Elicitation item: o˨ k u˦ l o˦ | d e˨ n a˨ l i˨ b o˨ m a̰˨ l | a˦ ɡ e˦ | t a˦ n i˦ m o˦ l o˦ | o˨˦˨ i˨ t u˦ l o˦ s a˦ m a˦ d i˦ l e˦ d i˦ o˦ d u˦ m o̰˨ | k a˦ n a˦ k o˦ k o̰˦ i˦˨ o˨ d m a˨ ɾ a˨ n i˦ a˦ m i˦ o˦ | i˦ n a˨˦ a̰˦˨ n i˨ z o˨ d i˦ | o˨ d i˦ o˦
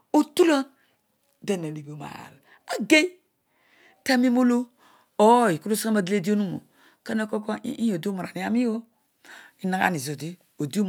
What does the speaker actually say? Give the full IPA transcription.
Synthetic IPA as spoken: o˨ t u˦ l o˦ | d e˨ n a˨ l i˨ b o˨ m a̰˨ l | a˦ ɡ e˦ | t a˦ m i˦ m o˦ l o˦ | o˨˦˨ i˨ k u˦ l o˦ s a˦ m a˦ d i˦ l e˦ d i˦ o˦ n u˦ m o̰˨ | k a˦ n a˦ k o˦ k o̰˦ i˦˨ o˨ d m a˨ ɾ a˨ n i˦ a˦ m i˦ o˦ | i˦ n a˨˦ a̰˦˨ n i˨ z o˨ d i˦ | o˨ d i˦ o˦